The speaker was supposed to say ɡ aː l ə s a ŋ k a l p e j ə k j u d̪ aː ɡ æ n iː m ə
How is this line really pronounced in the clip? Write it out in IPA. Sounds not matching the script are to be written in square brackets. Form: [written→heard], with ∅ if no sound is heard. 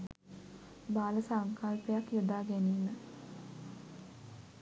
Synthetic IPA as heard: [ɡ→b] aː l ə s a ŋ k a l p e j [ə→a] k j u d̪ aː ɡ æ n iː m ə